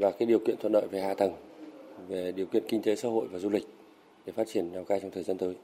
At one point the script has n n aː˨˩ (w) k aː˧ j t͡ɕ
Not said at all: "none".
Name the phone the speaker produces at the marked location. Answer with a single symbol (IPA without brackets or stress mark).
w